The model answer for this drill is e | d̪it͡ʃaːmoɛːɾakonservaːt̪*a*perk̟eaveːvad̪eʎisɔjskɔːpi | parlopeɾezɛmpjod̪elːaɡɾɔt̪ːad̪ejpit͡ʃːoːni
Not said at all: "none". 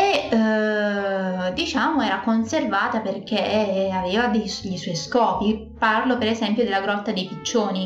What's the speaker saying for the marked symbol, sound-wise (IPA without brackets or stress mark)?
a